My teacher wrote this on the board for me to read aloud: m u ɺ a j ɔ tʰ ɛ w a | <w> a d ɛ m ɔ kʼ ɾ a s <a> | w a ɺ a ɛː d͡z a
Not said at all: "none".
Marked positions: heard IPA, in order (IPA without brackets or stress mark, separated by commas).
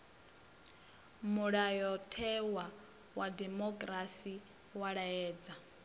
w, i